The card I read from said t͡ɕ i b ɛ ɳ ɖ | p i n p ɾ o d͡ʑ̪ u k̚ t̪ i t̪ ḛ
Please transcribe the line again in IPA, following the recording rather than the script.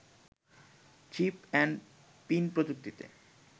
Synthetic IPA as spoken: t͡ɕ i p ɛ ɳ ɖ | p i n p ɾ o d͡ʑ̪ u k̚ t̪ i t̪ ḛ